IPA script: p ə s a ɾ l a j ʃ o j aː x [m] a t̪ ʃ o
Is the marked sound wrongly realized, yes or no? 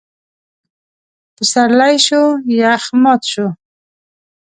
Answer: no